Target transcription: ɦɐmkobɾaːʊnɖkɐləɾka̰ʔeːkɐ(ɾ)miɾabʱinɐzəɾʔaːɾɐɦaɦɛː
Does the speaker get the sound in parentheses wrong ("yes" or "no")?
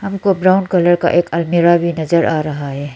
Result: yes